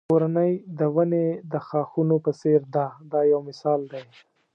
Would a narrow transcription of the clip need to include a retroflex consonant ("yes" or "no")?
no